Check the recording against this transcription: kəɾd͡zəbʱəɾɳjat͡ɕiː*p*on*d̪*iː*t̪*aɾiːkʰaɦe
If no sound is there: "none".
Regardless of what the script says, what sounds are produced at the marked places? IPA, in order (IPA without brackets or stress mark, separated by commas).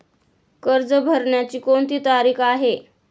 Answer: k, t̪, t̪